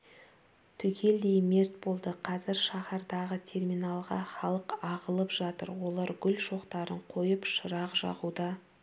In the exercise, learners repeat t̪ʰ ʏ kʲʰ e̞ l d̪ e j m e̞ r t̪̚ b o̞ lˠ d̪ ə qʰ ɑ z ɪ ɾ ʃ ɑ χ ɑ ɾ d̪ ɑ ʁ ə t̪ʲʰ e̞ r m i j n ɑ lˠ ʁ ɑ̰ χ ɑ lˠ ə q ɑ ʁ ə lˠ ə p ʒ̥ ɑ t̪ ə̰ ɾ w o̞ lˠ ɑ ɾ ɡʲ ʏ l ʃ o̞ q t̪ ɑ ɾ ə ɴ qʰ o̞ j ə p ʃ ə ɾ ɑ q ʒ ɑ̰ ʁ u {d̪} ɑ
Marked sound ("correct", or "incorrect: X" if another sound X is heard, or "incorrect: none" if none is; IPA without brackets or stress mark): correct